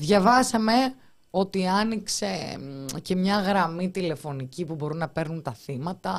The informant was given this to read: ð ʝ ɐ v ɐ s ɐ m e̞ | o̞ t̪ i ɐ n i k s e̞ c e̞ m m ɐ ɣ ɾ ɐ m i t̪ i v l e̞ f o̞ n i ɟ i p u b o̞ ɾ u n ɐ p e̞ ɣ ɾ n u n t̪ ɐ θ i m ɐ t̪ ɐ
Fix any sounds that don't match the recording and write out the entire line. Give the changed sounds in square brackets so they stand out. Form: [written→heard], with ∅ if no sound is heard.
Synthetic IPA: ð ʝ ɐ v ɐ s ɐ m e̞ | o̞ t̪ i ɐ n i k s e̞ c e̞ m [m→ɲ] ɐ ɣ ɾ ɐ m i t̪ i [v→∅] l e̞ f o̞ n i [ɟ→c] i p u b o̞ ɾ u n ɐ p e̞ [ɣ→∅] ɾ n u n t̪ ɐ θ i m ɐ t̪ ɐ